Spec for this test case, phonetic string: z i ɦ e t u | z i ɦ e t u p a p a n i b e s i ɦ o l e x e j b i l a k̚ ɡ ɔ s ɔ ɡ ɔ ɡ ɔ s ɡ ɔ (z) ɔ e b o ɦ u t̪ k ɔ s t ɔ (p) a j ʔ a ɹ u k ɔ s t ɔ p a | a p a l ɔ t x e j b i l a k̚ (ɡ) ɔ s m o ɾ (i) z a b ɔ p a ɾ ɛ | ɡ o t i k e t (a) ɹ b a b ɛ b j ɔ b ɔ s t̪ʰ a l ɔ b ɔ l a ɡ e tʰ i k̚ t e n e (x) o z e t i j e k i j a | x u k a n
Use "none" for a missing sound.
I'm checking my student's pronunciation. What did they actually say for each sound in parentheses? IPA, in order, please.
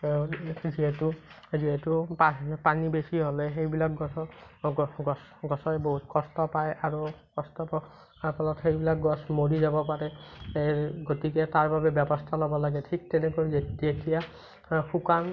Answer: s, p, ɡ, i, a, k

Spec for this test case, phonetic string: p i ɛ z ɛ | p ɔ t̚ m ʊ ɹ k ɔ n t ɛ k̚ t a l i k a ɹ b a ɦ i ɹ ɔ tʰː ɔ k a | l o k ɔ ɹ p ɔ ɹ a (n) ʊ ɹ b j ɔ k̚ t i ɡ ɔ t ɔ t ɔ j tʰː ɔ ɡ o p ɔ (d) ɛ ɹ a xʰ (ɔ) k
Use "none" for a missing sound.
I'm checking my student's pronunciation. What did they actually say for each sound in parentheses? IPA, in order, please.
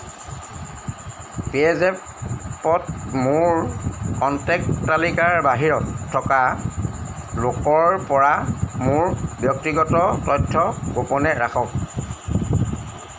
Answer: m, n, ɔ

